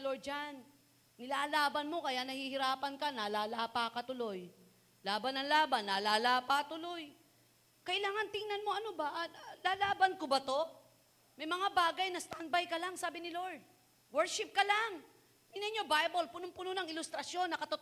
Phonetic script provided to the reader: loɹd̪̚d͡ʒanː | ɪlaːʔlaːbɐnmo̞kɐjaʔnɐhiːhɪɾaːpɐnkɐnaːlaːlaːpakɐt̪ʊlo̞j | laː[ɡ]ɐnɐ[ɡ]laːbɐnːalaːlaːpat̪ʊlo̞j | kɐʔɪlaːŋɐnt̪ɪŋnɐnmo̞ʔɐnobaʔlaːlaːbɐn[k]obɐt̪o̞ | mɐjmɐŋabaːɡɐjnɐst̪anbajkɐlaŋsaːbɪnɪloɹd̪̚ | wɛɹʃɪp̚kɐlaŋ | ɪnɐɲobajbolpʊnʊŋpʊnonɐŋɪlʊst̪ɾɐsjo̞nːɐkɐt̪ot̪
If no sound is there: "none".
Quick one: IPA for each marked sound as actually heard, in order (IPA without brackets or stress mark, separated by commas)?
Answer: b, ŋ, k